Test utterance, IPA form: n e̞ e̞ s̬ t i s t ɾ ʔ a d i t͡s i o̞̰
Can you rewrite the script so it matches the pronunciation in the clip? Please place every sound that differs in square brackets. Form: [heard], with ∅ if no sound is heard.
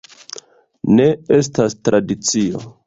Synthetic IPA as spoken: n e̞ e̞ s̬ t [a] s t ɾ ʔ a d i t͡s i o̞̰